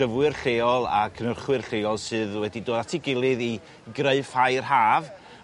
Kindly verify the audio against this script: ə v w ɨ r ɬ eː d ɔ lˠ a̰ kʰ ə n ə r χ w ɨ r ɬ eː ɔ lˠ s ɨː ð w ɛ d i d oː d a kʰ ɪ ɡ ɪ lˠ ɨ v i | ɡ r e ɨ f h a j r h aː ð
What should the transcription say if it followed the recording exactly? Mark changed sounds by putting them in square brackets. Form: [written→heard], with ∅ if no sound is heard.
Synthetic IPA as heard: ə v w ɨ r ɬ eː [d→∅] ɔ lˠ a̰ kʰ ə n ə r χ w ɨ r ɬ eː ɔ lˠ s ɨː ð w ɛ d i d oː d a [kʰ→tʰ] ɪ ɡ ɪ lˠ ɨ [v→ð] i | ɡ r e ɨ f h a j r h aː [ð→v]